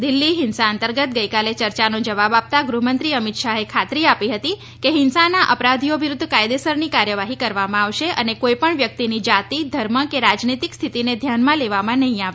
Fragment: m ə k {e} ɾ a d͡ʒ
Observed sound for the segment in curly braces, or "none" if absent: e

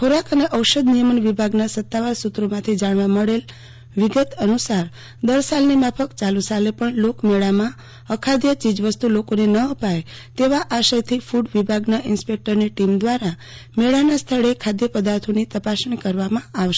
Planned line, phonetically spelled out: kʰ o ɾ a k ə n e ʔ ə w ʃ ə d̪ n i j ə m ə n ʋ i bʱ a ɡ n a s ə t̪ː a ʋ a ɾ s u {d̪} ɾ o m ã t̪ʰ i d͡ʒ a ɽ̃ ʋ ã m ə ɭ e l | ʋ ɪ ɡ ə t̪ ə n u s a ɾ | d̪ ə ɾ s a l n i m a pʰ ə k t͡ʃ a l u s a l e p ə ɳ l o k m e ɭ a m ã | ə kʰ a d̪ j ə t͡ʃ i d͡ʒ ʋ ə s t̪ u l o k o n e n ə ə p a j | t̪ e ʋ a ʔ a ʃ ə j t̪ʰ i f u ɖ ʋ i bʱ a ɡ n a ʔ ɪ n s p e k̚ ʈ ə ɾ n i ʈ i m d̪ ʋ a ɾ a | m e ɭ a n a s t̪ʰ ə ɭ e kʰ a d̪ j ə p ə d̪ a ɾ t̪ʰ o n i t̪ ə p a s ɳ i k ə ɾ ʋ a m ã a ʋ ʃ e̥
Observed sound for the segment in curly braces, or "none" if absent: t̪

